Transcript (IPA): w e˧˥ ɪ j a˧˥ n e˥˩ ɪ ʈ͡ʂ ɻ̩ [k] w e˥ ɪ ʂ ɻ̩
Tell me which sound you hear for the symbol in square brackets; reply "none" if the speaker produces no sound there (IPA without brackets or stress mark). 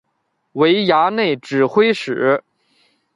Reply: x